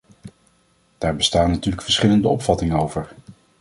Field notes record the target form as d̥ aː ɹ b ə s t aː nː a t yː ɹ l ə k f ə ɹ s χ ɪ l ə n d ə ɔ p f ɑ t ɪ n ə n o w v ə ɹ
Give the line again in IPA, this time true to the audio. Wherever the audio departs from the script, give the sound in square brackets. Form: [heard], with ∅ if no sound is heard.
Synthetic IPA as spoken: d̥ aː ɹ b ə s t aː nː a t yː ɹ l ə k f ə ɹ s χ ɪ l ə n d ə ɔ p f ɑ t ɪ [ŋ] ə n o w v ə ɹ